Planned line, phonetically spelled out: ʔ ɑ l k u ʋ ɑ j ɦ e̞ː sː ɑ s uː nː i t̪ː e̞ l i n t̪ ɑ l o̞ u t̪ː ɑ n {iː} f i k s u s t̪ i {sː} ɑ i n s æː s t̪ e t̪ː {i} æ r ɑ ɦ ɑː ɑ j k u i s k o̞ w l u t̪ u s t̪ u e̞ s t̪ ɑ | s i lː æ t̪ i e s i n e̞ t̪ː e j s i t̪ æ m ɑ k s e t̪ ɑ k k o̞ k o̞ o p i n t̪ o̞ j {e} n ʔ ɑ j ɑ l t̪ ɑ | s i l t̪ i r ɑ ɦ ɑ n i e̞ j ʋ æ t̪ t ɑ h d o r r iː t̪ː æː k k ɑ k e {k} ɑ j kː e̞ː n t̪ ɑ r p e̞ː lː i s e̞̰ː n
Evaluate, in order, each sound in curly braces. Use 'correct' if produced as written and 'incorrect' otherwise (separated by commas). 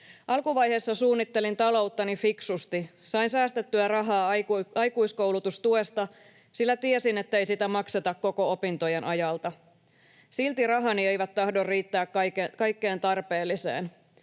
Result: incorrect, incorrect, incorrect, correct, correct